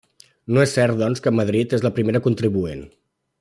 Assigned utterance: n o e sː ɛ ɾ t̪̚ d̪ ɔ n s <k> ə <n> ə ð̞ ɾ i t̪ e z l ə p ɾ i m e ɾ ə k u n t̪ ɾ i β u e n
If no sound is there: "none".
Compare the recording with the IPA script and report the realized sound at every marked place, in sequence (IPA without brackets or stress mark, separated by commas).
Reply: k, m